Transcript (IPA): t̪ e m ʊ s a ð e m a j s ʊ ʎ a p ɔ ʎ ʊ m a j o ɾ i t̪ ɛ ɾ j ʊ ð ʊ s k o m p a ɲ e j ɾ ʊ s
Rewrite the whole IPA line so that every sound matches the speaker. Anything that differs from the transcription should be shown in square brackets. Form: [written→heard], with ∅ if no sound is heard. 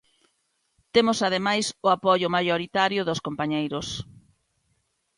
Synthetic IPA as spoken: t̪ e m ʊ s a ð e m a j s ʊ [ʎ→∅] a p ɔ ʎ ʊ m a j o ɾ i t̪ [ɛ→a] ɾ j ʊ ð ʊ s k o m p a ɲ e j ɾ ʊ s